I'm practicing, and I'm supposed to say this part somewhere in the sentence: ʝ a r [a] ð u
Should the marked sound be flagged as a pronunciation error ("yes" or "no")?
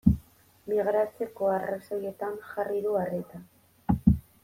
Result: yes